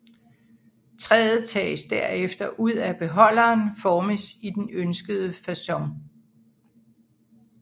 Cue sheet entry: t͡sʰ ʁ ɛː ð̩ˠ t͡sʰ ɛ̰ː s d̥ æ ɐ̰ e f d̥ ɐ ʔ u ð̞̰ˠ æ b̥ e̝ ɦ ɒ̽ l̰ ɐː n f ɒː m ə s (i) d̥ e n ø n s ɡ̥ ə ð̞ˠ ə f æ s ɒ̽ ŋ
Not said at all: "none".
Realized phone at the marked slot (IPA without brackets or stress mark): i